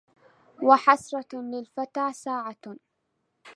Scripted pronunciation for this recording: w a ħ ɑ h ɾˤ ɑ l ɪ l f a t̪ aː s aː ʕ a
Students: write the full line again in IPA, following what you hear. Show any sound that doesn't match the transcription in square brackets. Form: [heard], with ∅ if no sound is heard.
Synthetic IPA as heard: w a ħ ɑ [s] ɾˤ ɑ l ɪ l f a t̪ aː s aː ʕ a